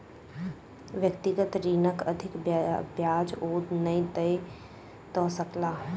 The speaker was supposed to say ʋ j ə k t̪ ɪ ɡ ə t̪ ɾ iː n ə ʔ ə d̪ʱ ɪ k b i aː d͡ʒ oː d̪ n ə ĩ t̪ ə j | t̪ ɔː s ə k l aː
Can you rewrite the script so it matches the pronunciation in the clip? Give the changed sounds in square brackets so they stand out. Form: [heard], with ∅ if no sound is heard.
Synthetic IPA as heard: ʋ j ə k t̪ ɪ ɡ ə t̪ ɾ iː n ə [k] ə d̪ʱ ɪ k b [j] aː d͡ʒ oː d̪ n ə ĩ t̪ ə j | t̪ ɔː s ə k l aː